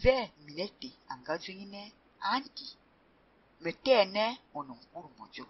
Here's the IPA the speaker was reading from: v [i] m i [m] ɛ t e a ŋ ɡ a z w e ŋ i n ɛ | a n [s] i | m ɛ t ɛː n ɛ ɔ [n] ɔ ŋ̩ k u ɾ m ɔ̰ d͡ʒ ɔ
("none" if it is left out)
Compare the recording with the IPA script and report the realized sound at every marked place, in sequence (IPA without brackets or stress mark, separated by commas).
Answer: ɛ, n, t, n